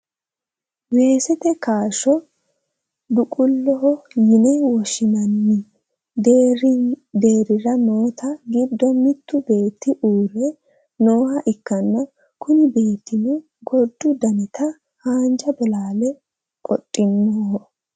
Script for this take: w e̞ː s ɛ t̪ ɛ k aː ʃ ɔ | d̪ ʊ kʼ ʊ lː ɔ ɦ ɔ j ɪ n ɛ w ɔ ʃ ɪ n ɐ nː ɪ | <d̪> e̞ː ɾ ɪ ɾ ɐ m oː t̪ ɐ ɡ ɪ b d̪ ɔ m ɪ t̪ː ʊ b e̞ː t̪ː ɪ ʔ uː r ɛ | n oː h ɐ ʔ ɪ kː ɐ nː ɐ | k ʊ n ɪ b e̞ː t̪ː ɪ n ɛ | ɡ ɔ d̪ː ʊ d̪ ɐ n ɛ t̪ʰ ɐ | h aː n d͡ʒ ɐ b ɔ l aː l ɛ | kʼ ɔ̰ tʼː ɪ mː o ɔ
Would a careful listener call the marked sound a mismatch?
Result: no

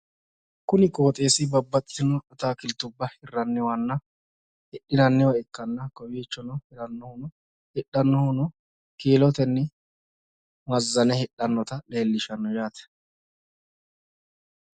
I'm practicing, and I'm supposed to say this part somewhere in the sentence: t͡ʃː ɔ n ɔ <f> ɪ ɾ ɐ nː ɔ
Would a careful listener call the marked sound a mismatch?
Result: yes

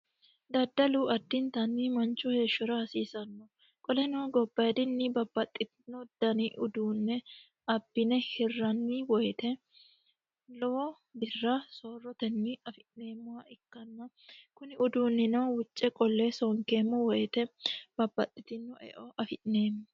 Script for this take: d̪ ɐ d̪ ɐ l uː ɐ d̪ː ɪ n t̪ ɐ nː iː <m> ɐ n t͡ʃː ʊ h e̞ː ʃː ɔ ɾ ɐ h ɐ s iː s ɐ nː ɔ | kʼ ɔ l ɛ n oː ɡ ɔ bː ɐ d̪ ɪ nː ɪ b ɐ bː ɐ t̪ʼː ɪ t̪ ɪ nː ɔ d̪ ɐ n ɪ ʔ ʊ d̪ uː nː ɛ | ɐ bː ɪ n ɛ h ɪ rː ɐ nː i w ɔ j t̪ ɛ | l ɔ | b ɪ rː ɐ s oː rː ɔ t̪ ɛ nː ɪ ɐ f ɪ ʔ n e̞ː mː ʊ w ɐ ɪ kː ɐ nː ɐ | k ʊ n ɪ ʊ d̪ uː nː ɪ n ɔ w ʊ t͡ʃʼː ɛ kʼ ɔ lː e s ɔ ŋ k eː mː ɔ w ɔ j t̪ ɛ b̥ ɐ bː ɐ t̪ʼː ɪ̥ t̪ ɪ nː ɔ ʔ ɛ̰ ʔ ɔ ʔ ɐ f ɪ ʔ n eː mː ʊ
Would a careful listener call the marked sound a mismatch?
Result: no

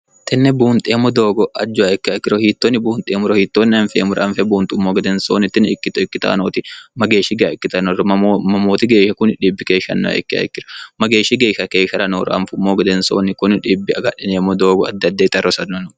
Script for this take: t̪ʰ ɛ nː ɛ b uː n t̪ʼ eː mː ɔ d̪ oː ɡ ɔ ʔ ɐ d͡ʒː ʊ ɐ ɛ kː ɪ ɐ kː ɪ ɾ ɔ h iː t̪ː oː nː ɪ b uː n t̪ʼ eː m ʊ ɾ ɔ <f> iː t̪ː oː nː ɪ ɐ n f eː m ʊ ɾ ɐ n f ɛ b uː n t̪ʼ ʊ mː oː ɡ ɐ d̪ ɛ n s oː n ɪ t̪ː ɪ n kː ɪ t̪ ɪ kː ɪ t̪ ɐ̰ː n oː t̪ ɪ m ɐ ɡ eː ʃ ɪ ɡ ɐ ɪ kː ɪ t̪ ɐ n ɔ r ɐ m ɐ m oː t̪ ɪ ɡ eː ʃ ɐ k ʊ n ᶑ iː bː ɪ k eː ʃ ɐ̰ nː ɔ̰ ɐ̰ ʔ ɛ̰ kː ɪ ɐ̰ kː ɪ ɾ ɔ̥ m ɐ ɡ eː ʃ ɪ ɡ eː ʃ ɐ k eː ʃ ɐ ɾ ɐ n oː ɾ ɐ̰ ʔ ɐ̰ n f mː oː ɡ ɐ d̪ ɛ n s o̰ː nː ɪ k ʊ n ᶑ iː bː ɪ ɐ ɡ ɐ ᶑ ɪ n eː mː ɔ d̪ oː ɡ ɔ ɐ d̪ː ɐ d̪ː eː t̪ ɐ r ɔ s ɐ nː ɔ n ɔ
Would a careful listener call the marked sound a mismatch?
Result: yes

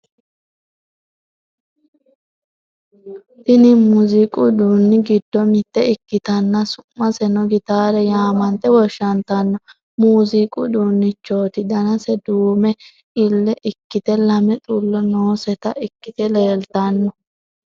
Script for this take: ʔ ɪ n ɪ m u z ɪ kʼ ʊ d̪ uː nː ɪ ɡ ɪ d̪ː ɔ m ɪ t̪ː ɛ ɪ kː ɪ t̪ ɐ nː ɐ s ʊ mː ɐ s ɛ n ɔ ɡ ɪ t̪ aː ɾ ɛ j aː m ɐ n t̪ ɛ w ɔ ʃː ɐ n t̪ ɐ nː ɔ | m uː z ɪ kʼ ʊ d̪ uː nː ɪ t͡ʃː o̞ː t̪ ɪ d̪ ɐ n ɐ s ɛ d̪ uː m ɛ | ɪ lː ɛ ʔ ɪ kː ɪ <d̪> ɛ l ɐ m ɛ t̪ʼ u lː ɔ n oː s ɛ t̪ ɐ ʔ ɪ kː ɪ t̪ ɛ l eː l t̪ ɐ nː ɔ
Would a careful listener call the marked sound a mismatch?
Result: yes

